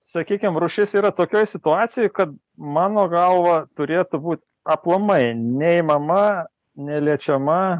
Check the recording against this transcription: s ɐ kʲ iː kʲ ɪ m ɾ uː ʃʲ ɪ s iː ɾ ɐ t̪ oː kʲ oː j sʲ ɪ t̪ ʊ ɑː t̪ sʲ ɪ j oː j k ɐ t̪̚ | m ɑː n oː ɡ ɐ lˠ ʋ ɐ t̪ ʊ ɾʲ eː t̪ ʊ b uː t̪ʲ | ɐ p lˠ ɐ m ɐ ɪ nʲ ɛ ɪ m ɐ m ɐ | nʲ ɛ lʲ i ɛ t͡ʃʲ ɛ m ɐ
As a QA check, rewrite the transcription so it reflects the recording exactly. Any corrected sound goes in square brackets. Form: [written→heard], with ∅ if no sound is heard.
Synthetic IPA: s ɐ kʲ iː kʲ ɪ m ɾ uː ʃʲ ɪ s iː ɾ ɐ t̪ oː kʲ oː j sʲ ɪ t̪ ʊ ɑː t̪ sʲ ɪ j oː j k ɐ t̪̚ | m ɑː n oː ɡ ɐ lˠ ʋ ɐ t̪ ʊ ɾʲ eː t̪ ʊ b uː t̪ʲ | ɐ p lˠ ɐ m ɐ ɪ nʲ ɛ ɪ m ɐ m ɐ | nʲ ɛ lʲ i ɛ t͡ʃʲ ɛ m ɐ

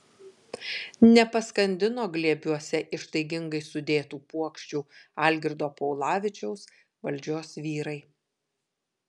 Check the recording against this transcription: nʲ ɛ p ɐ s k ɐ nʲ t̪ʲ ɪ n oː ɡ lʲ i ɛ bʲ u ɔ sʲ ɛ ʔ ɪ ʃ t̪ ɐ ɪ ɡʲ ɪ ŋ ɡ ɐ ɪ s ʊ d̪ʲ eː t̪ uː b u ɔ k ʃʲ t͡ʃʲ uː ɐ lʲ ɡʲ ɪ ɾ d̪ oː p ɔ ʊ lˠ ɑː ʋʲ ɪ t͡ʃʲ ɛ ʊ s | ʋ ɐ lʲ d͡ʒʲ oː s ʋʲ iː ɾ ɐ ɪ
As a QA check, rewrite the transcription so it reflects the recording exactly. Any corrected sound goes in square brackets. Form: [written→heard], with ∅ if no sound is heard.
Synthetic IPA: nʲ ɛ p ɐ s k ɐ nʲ [t̪ʲ→d̪ʲ] ɪ n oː ɡ lʲ i ɛ bʲ u ɔ sʲ ɛ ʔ ɪ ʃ t̪ ɐ ɪ ɡʲ ɪ ŋ ɡ ɐ ɪ s ʊ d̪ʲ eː t̪ uː [b→p] u ɔ k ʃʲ t͡ʃʲ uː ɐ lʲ ɡʲ ɪ ɾ d̪ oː p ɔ ʊ lˠ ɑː ʋʲ ɪ t͡ʃʲ ɛ ʊ s | ʋ ɐ lʲ d͡ʒʲ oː s ʋʲ iː ɾ ɐ ɪ

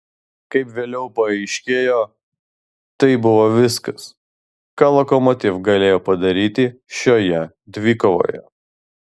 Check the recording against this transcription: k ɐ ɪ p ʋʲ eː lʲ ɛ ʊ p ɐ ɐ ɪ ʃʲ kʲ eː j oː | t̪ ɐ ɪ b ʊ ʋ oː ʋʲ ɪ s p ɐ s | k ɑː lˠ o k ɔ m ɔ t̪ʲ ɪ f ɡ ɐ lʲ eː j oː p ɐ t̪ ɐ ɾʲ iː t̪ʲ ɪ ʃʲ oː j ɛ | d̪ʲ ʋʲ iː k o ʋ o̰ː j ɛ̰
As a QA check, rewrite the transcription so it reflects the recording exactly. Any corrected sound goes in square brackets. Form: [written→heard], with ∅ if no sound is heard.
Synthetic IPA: k ɐ ɪ p ʋʲ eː lʲ ɛ ʊ p ɐ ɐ ɪ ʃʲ kʲ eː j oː | t̪ ɐ ɪ b ʊ ʋ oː ʋʲ ɪ s [p→k] ɐ s | k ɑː lˠ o k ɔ m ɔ t̪ʲ ɪ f ɡ ɐ lʲ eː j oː p ɐ [t̪→d̪] ɐ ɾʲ iː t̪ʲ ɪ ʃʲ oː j ɛ | d̪ʲ ʋʲ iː k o ʋ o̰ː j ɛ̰

